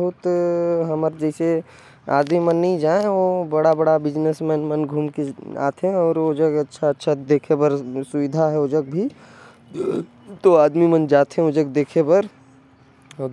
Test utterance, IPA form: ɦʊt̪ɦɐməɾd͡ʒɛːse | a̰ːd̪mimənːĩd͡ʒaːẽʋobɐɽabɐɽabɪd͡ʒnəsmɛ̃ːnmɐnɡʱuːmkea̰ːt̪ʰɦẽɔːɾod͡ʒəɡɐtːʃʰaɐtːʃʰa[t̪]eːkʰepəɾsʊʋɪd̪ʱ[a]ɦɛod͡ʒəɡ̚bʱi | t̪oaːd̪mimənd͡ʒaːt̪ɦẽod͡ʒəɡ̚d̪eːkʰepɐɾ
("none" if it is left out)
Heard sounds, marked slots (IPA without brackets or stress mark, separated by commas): d̪, a